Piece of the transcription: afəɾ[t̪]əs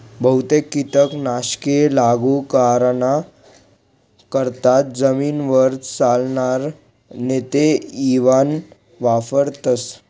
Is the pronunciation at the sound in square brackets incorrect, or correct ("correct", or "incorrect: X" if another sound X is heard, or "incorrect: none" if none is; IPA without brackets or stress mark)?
correct